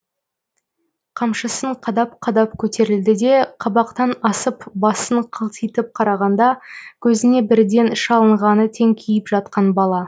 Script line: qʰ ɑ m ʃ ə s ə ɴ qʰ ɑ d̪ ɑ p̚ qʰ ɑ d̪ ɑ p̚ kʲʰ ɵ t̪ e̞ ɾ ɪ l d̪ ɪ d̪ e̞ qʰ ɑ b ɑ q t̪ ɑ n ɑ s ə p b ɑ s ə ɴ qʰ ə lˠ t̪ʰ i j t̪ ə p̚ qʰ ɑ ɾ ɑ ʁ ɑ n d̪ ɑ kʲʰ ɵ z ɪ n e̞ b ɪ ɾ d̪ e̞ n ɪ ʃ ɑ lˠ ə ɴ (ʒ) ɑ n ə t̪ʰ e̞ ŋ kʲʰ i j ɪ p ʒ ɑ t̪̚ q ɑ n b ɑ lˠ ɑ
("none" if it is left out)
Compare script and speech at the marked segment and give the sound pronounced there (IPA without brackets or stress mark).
ʁ